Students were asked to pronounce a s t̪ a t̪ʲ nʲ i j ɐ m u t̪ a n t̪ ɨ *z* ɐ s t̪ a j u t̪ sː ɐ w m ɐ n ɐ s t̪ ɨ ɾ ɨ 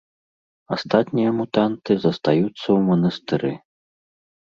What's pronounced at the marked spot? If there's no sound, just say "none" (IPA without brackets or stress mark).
z